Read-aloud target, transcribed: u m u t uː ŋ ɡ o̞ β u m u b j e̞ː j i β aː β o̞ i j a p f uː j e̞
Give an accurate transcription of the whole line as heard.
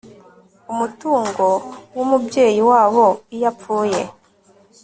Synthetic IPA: u m u t uː ŋ ɡ o̞ w u m u b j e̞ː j i w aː β o̞ i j a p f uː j e̞

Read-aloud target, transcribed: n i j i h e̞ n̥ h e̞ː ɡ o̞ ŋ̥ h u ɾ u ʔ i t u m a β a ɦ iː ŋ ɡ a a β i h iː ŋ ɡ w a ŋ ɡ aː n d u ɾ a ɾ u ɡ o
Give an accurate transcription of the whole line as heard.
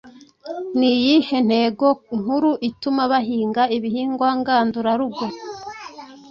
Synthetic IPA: n i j i h e̞ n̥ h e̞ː ɡ o̞ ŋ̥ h u ɾ u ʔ i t u m a β a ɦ iː ŋ ɡ a i β i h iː ŋ ɡ w a ŋ ɡ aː n d u ɾ a ɾ u ɡ o

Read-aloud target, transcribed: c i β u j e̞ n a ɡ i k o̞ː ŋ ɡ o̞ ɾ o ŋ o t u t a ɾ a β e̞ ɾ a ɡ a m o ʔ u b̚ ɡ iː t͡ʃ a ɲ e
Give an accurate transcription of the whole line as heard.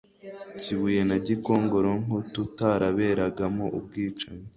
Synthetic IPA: c i β u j e̞ n a ɟ i k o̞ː ŋ ɡ o̞ ɾ o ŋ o t u t a ɾ a β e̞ ɾ a ɡ a m o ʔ u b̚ ɡ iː t͡ʃ a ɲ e

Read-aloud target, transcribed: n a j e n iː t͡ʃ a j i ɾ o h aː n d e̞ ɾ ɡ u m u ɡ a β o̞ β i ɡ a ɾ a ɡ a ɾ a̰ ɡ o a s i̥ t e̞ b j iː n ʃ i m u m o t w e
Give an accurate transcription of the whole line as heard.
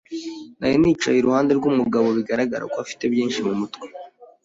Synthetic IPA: n a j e n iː t͡ʃ a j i ɾ u h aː n d e̞ ɾ ɡ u m u ɡ a β o̞ β i ɡ a ɾ a ɡ a ɾ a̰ k o a f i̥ t e̞ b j iː n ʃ i m u m u t w e

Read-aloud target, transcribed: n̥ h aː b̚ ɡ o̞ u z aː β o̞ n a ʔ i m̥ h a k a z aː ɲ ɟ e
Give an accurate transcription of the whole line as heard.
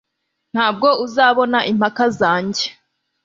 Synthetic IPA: n̥ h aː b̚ ɡ o̞ u z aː β o̞ n a ʔ i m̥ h a k a z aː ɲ ɟ e

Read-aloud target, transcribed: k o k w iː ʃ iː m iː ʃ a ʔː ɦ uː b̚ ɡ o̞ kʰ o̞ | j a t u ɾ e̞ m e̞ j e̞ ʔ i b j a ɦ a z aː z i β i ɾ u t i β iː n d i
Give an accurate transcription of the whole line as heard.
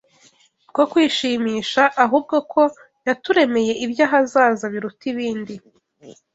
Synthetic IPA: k o k w iː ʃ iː m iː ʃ a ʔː ɦ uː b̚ ɡ o̞ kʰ o̞ | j a t u ɾ e̞ m e̞ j e̞ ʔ i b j a ɦ a z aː z a β i ɾ u t i β iː n d i

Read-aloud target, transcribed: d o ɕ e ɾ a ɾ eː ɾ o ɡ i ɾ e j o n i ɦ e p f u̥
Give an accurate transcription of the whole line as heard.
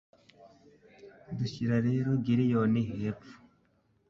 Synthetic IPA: d u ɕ i ɾ a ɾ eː ɾ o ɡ i ɾ i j o n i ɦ e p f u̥

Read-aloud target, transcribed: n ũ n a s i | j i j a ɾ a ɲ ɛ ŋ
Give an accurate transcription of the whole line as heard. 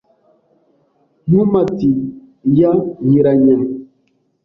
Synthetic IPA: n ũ m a t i | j a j i ɾ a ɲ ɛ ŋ

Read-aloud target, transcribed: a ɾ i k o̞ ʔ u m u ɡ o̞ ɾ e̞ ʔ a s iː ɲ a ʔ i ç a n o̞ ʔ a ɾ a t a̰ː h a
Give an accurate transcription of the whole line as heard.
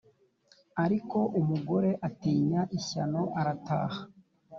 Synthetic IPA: a ɾ i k o̞ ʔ u m u ɡ o̞ ɾ e̞ ʔ a t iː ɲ a ʔ i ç a n o̞ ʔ a ɾ a t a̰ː h a

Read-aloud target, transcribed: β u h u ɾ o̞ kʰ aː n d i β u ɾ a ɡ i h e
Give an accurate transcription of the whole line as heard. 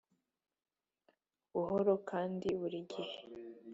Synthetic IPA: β u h o ɾ o̞ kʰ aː n d i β u ɾ i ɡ i h e

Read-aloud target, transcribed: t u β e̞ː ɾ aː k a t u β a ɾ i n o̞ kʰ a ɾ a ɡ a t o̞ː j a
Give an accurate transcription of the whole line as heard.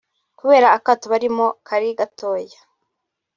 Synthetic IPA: k u β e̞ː ɾ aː k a t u β a ɾ i m o̞ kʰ a ɾ i ɡ a t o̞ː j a

